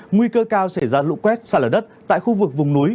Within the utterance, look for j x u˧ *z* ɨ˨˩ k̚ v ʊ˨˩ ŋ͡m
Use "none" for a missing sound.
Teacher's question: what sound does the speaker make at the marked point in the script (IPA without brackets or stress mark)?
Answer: v